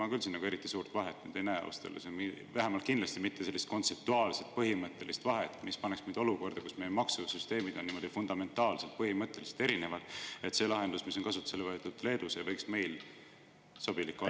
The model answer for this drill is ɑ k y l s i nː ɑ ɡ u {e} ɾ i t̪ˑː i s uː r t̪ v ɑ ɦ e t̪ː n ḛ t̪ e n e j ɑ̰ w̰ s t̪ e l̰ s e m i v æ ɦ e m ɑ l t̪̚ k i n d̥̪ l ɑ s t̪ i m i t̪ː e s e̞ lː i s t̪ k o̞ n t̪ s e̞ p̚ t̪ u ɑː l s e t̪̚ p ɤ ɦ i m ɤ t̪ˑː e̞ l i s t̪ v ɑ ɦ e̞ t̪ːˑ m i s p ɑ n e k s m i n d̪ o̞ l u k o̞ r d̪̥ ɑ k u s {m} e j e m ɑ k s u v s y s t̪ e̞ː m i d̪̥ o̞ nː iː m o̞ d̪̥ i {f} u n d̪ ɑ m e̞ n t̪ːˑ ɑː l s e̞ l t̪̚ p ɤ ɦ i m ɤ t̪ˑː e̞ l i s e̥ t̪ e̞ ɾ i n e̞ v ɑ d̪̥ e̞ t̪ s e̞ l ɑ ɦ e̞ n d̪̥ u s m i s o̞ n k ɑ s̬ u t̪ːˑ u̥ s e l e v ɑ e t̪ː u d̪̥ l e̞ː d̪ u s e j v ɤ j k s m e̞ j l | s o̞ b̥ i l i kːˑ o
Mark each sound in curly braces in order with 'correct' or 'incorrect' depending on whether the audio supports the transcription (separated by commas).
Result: correct, correct, correct